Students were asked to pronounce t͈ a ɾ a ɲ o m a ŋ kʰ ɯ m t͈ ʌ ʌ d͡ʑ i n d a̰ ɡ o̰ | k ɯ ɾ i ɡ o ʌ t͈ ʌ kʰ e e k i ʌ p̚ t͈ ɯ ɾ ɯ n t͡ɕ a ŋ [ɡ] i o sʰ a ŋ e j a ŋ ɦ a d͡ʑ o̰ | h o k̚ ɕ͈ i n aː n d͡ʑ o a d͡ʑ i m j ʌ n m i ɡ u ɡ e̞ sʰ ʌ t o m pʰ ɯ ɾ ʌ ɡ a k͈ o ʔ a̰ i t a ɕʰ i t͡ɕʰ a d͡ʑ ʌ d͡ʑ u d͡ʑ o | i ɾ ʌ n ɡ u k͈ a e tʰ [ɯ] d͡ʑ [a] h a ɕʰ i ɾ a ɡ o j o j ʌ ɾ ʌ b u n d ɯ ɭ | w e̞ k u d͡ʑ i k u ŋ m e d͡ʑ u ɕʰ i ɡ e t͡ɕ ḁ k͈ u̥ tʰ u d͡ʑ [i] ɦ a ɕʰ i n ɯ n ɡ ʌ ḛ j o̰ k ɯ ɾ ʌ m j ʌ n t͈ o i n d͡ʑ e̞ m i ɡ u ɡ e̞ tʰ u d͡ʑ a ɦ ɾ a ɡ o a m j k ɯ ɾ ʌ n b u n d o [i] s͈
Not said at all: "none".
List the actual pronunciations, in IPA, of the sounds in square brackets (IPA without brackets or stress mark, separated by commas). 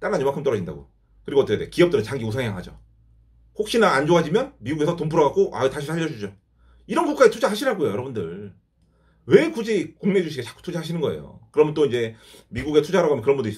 ɡ, u, a, a, i